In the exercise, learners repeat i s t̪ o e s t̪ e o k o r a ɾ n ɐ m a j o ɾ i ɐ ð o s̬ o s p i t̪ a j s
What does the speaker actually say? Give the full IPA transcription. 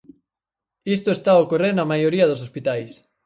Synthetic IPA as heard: i s t̪ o e s t̪ a o k o r e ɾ n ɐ m a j o ɾ i ɐ ð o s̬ o s p i t̪ a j s